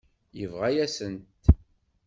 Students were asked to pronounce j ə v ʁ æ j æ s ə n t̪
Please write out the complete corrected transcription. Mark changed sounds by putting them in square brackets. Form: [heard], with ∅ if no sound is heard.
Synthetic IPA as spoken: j ə v ʁ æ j æ s ə n t̪